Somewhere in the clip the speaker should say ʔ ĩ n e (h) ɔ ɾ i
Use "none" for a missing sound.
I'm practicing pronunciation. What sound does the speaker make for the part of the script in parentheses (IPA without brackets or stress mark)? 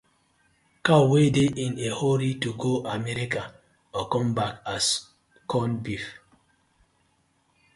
h